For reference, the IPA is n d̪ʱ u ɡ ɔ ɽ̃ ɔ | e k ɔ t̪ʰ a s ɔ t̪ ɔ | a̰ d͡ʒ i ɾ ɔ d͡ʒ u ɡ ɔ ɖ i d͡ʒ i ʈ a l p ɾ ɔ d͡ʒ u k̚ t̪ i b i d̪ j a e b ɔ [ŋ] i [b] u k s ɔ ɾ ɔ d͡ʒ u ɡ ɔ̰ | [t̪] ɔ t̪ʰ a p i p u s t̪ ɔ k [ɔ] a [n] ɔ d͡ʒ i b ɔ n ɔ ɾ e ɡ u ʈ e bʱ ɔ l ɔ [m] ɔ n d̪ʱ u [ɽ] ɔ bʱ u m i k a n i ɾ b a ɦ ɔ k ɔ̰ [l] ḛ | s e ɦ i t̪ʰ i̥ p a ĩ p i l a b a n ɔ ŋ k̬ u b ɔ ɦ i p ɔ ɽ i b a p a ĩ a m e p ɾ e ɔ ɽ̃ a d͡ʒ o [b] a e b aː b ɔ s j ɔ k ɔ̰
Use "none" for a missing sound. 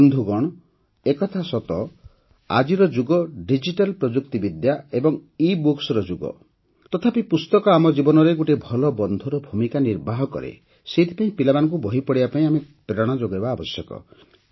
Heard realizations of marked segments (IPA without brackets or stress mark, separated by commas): ŋ, b, t̪, ɔ, m, b, ɾ, ɾ, ɡ